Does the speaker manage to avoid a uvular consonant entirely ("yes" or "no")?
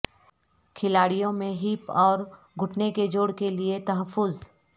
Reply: yes